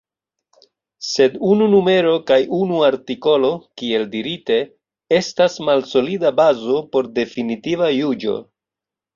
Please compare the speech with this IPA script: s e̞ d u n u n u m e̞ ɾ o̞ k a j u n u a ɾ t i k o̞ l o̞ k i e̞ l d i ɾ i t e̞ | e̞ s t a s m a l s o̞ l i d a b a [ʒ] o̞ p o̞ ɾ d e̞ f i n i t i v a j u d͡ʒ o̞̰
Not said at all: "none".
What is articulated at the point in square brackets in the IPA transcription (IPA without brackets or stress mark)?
z